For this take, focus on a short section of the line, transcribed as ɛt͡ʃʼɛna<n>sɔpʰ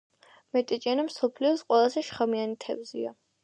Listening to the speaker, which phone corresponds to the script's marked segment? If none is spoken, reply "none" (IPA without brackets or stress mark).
m